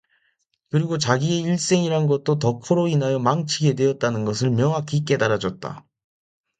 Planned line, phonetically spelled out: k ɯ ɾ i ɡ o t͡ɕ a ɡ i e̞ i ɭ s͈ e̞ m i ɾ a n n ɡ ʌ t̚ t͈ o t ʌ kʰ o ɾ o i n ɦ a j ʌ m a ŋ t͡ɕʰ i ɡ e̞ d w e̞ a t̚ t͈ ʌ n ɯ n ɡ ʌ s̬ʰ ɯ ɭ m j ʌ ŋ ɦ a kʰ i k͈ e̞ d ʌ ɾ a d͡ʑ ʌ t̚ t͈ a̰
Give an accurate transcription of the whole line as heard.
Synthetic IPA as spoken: k ɯ ɾ i ɡ o t͡ɕ a ɡ i e̞ i ɭ s͈ e̞ ŋ i ɾ a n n ɡ ʌ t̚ t͈ o t ʌ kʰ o ɾ o i n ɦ a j ʌ m a ŋ t͡ɕʰ i ɡ e̞ d w e̞ ʌ t̚ t͈ a n ɯ n ɡ ʌ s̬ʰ ɯ ɭ m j ʌ ŋ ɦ a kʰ i k͈ e̞ d a ɾ a d͡ʑ ʌ t̚ t͈ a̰